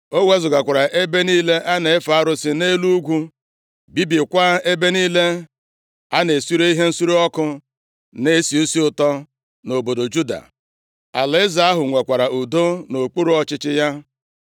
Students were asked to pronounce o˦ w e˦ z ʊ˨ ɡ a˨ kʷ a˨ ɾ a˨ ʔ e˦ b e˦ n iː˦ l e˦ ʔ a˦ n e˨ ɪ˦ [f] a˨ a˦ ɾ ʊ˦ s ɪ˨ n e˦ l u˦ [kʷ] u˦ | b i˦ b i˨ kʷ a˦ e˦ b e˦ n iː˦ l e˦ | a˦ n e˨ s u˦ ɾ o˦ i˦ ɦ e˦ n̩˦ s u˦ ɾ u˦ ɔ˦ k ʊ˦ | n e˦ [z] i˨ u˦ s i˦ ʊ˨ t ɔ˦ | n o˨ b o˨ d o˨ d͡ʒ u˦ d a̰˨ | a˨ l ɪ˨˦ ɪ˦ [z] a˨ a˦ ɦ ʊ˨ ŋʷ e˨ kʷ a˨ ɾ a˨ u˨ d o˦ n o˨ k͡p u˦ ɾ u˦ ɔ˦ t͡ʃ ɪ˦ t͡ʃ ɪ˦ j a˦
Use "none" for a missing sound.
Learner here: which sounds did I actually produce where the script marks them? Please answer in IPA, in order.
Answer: f, ɡʷ, s, z

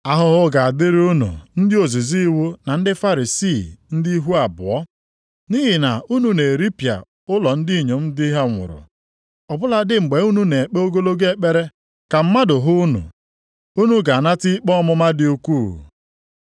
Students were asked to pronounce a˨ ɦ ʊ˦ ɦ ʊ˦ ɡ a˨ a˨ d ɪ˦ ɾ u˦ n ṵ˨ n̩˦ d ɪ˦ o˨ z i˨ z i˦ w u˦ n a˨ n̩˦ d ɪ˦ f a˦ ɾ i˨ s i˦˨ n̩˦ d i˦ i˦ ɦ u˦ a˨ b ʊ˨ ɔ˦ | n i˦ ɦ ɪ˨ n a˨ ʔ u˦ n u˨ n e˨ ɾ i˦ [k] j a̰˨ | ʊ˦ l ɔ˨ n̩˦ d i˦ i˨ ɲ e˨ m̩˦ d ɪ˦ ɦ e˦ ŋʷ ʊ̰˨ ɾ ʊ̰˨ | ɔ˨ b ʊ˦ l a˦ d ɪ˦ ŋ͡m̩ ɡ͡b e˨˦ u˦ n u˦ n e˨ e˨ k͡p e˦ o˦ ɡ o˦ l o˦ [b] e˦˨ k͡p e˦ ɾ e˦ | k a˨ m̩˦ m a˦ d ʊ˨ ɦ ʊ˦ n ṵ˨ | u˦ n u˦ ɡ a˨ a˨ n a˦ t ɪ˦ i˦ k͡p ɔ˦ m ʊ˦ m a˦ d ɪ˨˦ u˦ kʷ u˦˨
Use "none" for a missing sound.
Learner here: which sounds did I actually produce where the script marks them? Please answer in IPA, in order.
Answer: p, ɡ

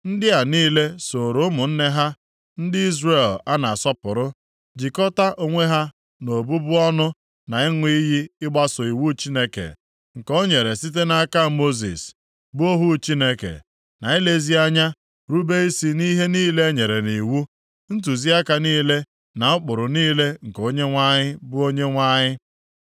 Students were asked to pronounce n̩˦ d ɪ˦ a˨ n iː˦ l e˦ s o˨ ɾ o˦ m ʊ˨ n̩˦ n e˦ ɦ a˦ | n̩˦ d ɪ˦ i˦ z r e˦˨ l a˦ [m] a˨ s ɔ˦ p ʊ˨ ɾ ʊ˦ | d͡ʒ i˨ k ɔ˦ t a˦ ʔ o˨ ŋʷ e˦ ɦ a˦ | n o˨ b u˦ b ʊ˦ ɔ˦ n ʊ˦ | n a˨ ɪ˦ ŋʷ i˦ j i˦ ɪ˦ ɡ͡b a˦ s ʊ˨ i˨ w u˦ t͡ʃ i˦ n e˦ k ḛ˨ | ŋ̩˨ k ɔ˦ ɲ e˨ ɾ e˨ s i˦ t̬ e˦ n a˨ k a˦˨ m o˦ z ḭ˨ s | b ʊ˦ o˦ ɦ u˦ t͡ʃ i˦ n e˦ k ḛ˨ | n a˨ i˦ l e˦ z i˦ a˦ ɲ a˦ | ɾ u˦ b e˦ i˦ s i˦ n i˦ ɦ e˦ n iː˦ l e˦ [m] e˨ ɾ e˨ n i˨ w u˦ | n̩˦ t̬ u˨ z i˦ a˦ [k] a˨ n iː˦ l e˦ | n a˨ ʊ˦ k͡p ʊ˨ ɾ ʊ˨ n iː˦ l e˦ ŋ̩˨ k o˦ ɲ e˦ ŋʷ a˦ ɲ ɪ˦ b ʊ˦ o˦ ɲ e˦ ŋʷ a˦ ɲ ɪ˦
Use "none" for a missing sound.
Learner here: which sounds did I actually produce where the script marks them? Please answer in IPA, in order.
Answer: n, ɲ, k

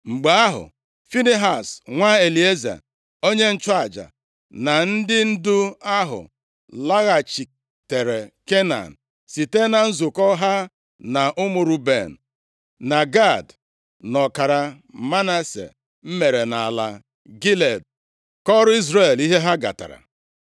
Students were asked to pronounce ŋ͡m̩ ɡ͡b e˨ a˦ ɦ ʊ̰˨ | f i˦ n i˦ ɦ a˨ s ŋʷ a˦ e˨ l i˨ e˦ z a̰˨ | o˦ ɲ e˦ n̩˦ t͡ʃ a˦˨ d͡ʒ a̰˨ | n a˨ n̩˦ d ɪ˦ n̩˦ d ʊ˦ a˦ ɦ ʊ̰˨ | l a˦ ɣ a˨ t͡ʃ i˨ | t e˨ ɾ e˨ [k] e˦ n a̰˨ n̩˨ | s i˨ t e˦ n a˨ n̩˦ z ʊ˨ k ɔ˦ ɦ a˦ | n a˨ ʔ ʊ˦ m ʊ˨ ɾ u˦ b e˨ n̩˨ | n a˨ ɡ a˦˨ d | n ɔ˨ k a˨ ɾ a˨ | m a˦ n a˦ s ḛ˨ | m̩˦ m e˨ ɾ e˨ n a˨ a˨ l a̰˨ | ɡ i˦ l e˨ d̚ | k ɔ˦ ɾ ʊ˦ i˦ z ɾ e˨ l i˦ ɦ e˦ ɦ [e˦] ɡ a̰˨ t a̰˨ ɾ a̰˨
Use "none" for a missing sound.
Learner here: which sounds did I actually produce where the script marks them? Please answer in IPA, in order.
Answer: k, a˦

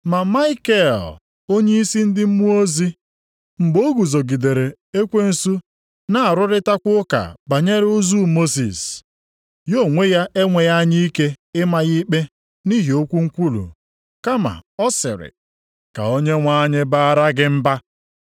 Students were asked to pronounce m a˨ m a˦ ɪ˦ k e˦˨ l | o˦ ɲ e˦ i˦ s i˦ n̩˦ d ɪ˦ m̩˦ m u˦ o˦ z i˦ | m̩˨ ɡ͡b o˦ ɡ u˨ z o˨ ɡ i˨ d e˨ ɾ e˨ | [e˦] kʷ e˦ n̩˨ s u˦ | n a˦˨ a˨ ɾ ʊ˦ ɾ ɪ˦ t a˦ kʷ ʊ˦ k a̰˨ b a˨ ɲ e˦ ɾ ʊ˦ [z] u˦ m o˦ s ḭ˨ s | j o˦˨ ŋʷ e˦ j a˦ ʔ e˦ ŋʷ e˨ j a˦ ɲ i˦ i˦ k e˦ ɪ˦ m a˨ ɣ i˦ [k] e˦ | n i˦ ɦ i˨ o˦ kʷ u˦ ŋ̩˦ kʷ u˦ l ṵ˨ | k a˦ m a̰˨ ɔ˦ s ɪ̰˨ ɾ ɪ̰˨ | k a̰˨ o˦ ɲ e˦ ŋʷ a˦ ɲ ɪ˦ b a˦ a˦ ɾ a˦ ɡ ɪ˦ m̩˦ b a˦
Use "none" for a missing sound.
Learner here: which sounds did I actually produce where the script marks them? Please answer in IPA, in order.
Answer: e˦, z, k͡p

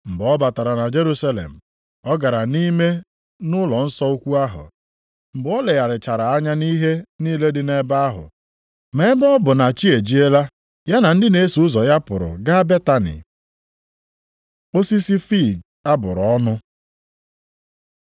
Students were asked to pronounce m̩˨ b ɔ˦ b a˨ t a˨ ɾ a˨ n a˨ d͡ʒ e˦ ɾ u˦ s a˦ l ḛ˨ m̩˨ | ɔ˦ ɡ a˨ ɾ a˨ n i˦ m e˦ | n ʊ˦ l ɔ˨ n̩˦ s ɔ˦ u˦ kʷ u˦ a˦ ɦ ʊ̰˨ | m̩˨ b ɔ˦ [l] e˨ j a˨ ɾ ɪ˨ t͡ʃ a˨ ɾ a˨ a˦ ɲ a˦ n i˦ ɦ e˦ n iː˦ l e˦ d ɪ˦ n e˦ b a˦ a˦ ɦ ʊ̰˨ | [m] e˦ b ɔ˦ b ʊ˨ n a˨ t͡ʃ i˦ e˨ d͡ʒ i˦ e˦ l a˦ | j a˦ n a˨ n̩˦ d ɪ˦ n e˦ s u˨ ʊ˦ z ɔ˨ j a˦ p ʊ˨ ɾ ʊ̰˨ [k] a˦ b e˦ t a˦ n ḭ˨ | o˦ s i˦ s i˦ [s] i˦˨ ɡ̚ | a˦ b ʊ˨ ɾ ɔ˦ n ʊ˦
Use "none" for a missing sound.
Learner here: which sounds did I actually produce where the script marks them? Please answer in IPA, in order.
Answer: l, m, ɡ, f

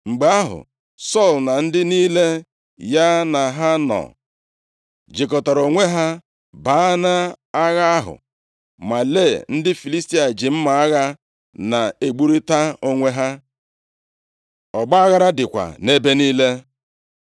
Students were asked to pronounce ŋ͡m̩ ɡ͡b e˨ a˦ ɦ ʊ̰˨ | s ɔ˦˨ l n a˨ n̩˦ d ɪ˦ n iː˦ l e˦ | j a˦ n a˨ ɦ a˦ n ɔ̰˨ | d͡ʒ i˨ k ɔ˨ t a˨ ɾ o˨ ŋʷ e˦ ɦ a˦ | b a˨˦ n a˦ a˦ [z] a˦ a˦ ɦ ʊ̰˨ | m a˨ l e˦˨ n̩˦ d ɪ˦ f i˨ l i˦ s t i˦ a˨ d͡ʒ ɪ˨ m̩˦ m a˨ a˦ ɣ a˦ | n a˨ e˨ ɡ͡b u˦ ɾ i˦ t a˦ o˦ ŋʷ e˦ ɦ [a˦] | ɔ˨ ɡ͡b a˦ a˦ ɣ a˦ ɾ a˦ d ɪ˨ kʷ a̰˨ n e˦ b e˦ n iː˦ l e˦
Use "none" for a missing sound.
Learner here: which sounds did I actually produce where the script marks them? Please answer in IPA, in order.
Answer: ɣ, a˦

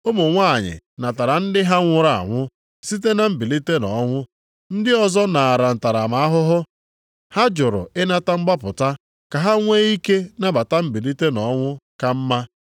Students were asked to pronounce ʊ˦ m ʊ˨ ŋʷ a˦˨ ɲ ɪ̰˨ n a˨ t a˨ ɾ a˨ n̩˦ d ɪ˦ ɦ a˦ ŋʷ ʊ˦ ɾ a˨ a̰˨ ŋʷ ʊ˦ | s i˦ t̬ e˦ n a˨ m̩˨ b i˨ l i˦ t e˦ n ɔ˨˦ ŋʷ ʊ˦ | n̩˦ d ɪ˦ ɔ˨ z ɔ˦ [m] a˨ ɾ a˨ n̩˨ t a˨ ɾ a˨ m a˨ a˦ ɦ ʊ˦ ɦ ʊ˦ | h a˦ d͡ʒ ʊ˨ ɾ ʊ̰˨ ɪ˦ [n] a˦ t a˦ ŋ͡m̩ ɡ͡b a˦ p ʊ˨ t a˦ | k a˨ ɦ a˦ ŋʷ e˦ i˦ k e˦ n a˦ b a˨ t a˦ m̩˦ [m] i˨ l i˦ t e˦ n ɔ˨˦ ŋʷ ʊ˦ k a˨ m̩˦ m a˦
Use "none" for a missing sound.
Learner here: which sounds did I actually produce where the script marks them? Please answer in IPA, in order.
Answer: n, n, b

